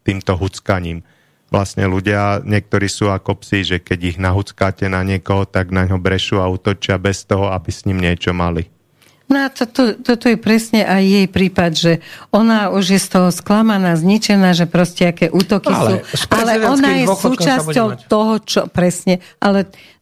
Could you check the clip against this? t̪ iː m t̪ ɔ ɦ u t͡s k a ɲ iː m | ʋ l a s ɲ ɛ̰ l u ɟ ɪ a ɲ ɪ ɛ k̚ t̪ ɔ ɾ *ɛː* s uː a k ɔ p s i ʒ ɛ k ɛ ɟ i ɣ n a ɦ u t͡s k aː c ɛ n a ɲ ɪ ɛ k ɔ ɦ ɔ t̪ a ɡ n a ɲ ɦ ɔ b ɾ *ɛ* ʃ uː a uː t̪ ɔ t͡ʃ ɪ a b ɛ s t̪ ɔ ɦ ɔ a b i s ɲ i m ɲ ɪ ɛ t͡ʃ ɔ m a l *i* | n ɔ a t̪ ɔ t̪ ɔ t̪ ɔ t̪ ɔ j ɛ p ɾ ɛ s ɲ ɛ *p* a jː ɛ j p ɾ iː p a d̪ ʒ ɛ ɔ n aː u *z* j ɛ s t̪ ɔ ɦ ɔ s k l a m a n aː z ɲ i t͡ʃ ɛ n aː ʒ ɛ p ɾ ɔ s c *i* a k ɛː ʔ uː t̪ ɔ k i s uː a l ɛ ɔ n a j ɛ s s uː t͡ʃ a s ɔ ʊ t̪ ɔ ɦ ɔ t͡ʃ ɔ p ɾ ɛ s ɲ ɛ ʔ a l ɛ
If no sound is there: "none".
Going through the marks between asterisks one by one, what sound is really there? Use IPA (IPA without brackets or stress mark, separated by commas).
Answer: iː, ɛ, i, ʔ, ʒ, ɛ